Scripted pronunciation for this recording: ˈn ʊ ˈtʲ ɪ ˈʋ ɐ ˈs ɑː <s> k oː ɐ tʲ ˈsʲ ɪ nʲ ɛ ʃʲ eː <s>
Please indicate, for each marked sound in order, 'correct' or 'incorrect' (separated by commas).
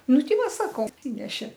incorrect, incorrect